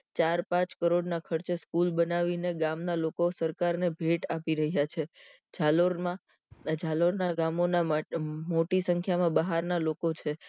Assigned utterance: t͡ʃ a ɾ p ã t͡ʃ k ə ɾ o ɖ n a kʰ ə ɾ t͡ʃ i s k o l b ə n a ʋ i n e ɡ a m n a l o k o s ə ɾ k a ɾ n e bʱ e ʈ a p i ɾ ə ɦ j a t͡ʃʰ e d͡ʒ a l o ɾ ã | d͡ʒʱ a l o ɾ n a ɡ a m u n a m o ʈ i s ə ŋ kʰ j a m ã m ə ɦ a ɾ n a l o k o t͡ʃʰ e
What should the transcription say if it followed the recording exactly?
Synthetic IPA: t͡ʃ a ɾ p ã t͡ʃ k ə ɾ o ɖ n a kʰ ə ɾ t͡ʃ e s k u l b ə n a ʋ i n e ɡ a m n a l o k o s ə ɾ k a ɾ n e bʱ e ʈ a p i ɾ ə ɦ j a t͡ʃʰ e d͡ʒ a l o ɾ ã | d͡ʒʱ a l o ɾ n a ɡ a m o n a m o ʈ i s ə ŋ kʰ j a m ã b ə ɦ a ɾ n a l o k o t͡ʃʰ e